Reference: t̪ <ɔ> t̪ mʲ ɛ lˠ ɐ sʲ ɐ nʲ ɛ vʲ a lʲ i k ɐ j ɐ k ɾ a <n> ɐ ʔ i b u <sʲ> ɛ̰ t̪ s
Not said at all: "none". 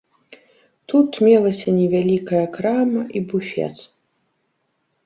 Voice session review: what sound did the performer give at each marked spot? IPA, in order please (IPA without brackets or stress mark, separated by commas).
u, m, fʲ